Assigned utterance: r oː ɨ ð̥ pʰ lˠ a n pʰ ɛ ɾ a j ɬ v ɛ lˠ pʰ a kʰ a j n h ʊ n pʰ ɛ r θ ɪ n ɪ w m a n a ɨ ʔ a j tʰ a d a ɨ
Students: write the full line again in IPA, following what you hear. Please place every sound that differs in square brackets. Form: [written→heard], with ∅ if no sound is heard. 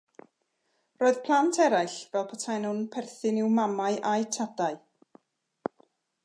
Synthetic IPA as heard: r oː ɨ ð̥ pʰ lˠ a n [pʰ→tʰ] ɛ ɾ a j ɬ v ɛ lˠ pʰ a [kʰ→tʰ] a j n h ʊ n pʰ ɛ r θ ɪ n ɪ w m a [n→m] a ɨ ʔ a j tʰ a d a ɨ